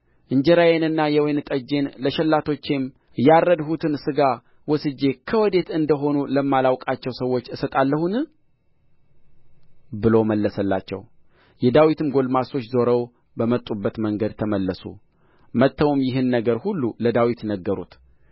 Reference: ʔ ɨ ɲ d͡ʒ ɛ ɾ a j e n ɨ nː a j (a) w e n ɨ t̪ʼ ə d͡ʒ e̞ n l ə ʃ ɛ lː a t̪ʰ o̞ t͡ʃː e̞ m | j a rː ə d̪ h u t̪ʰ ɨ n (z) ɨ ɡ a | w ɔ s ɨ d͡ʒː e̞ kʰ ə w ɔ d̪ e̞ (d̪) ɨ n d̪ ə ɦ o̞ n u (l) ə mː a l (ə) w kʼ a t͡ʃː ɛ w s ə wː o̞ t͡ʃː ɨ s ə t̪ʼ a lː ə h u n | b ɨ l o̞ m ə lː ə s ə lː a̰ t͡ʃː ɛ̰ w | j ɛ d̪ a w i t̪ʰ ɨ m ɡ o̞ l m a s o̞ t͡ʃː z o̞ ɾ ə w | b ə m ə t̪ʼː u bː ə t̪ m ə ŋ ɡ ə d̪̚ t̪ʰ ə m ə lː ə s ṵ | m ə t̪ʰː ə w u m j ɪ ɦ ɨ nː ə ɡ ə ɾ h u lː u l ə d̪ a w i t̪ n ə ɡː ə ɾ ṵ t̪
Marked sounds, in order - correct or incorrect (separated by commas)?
incorrect, incorrect, incorrect, correct, incorrect